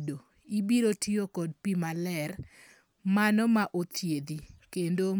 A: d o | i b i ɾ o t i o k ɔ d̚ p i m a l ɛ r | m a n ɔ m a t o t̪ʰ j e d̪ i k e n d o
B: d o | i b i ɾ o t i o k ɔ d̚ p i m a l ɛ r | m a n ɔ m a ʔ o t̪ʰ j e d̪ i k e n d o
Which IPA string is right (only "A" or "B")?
B